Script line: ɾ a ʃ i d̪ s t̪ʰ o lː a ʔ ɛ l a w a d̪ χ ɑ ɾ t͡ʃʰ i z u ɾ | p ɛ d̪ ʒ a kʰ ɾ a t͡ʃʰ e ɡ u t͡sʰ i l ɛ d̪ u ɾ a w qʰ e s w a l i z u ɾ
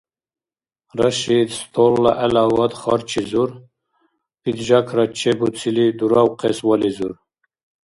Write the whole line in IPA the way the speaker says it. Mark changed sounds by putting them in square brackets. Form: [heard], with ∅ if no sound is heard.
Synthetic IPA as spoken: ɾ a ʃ i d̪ s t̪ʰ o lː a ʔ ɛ l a w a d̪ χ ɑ ɾ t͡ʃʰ i z u ɾ | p [i] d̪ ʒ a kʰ ɾ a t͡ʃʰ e [b] u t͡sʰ i l [i] d̪ u ɾ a w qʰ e s w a l i z u ɾ